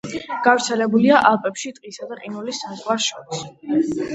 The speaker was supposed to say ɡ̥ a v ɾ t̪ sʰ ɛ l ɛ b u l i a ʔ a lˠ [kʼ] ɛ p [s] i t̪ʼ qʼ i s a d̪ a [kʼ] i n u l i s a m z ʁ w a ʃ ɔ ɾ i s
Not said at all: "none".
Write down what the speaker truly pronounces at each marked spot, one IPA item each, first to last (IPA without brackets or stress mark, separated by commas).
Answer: pʼ, ʃ, qʼ